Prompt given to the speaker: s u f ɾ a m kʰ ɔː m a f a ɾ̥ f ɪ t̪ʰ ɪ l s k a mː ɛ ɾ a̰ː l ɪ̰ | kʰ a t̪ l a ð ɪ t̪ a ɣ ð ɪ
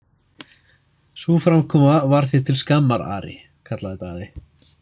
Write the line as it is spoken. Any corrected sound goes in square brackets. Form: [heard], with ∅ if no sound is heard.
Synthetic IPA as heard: s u f ɾ a m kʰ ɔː m a [v] a ɾ̥ [θ] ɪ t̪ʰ ɪ l s k a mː [a] ɾ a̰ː [ɾ] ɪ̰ | kʰ a t̪ l a ð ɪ t̪ a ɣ ð ɪ